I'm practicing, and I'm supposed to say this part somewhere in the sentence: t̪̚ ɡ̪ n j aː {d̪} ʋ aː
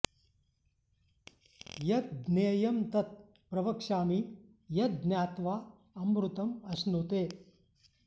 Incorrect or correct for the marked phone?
incorrect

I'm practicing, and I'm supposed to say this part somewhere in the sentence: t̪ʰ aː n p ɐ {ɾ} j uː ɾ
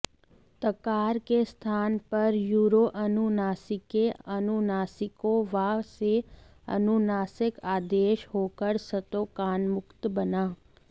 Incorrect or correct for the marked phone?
correct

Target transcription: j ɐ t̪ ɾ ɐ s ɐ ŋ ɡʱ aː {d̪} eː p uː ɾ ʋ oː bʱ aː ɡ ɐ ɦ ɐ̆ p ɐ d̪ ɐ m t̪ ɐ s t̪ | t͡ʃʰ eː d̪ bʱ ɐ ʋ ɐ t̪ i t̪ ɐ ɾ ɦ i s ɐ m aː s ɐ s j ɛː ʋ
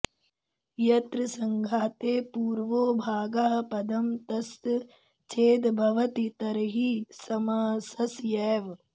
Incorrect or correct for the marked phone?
incorrect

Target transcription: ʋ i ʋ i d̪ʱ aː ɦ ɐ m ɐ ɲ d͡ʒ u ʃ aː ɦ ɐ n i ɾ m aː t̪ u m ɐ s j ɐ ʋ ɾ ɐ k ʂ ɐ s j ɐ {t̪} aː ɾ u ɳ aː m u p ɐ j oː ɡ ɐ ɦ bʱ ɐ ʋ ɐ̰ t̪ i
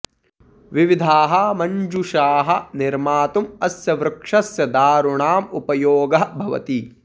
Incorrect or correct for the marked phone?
incorrect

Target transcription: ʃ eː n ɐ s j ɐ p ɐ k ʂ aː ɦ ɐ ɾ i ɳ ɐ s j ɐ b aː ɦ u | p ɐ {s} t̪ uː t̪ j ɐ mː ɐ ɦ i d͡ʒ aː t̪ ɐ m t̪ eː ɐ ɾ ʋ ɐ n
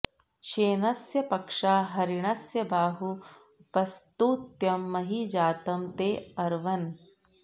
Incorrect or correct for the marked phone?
correct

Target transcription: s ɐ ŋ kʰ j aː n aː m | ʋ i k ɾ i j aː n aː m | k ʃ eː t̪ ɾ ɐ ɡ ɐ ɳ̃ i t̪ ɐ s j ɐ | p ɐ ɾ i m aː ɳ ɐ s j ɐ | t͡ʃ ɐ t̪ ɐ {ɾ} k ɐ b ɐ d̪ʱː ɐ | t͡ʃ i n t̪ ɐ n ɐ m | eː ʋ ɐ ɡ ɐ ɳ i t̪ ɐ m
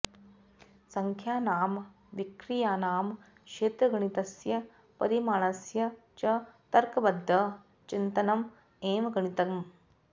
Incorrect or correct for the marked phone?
correct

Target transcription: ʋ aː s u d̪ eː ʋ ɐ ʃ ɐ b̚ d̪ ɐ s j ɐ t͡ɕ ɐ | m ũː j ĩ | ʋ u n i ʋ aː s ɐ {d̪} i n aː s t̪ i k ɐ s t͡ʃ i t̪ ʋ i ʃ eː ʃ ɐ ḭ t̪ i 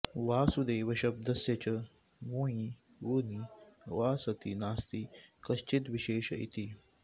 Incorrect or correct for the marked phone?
incorrect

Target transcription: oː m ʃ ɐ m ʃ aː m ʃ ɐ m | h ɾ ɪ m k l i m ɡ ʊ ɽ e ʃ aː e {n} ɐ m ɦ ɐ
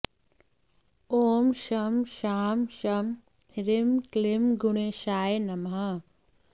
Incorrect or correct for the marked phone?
correct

